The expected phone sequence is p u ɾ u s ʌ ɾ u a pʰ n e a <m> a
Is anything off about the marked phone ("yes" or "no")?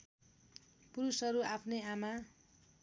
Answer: no